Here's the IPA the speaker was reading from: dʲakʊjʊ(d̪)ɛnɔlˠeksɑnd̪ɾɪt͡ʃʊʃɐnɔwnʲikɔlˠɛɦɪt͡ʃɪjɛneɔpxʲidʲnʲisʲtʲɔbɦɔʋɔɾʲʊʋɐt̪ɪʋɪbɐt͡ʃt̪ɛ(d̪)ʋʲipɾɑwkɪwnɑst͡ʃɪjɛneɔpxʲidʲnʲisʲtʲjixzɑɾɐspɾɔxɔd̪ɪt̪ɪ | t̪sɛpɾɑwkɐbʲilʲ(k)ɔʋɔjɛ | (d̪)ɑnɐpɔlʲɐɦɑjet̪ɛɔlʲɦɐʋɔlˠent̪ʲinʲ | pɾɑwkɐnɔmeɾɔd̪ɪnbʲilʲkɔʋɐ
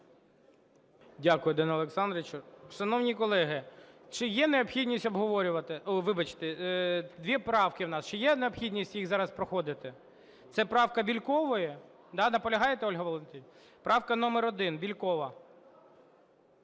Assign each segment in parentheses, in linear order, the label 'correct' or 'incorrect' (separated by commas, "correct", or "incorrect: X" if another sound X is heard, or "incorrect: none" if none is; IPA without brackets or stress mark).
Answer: correct, correct, correct, correct